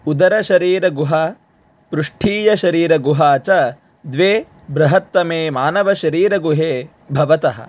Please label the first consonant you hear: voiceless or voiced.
voiced